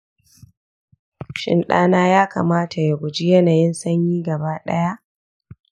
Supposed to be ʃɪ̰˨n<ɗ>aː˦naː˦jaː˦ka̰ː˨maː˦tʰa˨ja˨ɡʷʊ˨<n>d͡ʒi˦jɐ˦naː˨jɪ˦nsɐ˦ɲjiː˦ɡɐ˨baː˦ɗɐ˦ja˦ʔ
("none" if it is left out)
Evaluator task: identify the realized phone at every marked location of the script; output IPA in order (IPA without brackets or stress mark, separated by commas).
ɗ, none